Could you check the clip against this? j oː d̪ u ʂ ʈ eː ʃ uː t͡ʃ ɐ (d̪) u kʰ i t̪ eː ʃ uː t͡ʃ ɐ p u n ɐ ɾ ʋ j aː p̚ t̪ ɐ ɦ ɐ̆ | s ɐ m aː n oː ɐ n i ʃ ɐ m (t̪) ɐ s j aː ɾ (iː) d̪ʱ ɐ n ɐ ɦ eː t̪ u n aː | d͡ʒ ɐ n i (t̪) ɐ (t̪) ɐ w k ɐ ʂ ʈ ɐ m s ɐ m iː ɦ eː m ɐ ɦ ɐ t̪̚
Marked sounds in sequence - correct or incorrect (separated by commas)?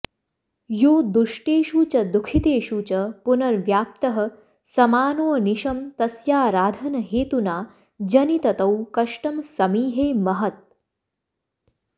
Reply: correct, correct, incorrect, correct, correct